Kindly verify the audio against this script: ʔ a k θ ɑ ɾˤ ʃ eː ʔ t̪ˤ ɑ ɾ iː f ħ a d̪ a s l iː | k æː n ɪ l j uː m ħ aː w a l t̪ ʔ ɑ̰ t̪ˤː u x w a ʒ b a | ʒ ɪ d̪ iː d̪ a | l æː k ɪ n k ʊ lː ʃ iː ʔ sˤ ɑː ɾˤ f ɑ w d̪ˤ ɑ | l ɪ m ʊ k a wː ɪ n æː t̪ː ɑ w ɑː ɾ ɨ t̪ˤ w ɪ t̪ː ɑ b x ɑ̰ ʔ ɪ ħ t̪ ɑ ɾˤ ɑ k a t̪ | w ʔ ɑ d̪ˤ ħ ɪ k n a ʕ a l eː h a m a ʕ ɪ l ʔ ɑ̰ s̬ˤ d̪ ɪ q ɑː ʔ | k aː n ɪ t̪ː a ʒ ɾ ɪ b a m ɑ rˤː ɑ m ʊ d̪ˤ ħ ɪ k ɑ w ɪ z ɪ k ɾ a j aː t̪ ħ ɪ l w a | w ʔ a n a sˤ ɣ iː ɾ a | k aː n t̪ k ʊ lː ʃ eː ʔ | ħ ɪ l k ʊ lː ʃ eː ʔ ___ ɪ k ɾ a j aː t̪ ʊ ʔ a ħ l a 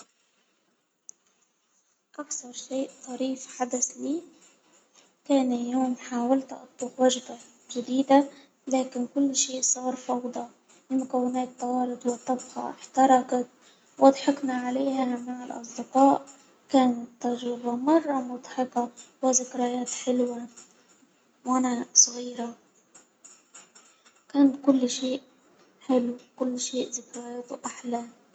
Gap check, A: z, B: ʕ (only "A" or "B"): A